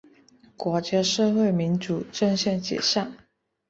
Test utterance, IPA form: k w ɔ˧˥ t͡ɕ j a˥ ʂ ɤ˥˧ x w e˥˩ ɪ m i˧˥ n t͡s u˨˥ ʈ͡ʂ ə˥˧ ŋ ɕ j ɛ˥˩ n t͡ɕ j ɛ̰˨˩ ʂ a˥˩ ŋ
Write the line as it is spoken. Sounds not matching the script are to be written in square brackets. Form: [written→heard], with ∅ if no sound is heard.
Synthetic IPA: k w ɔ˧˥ t͡ɕ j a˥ ʂ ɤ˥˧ x w e˥˩ ɪ m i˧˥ n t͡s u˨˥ ʈ͡ʂ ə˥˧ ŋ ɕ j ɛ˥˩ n t͡ɕ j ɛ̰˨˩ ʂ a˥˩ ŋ